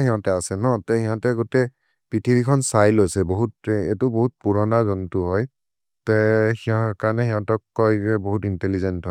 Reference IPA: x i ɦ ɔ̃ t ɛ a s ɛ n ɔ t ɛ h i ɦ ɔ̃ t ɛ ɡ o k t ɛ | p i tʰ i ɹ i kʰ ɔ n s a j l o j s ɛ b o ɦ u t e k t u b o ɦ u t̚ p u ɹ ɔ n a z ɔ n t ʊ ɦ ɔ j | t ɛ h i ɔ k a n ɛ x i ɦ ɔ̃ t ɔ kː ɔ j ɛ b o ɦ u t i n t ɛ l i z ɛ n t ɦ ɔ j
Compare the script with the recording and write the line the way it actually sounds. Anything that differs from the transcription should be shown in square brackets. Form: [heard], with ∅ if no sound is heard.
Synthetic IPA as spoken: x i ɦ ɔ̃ t ɛ a s ɛ n ɔ t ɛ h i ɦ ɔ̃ t ɛ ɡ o [∅] t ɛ | p i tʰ i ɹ i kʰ ɔ n s a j l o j s ɛ b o ɦ u t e [∅] t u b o ɦ u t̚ p u ɹ ɔ n a z ɔ n t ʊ ɦ ɔ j | t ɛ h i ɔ k a n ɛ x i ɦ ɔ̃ t ɔ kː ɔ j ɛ b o ɦ u t i n t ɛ l i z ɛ n t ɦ ɔ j